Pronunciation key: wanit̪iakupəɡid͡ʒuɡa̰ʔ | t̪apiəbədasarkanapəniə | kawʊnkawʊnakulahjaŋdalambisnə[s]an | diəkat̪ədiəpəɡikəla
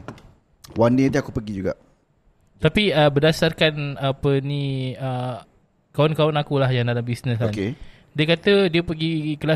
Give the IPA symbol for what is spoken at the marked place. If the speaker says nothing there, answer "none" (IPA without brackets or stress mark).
s